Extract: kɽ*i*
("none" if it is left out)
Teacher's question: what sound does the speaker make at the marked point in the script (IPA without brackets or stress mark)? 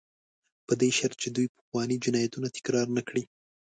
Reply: i